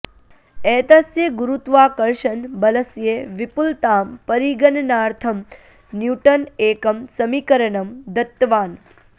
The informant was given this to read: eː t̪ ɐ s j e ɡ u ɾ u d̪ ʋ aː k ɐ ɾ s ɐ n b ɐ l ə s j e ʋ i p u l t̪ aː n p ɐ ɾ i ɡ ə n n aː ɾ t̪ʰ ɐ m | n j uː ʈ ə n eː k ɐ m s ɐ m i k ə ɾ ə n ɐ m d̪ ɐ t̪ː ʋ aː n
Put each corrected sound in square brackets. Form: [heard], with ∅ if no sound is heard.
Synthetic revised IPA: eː t̪ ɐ s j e ɡ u ɾ u [t̪] ʋ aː k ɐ ɾ [ʃ] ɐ n b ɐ l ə s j e ʋ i p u l t̪ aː [m] p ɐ ɾ i ɡ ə n n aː ɾ t̪ʰ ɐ m | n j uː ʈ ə n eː k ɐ m s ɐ m i k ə ɾ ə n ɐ m d̪ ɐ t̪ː ʋ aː n